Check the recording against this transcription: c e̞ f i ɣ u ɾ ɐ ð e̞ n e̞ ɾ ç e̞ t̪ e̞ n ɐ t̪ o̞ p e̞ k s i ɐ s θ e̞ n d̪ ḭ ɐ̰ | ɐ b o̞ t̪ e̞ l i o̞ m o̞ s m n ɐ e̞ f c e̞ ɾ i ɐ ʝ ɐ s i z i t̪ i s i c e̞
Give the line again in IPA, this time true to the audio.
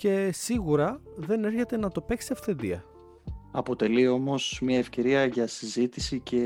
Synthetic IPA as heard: c e̞ s i ɣ u ɾ ɐ ð e̞ n e̞ ɾ ç e̞ t̪ e̞ n ɐ t̪ o̞ p e̞ k s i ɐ f θ e̞ n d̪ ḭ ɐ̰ | ɐ p o̞ t̪ e̞ l i o̞ m o̞ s m ɲ ɐ e̞ f c e̞ ɾ i ɐ ʝ ɐ s i z i t̪ i s i c e̞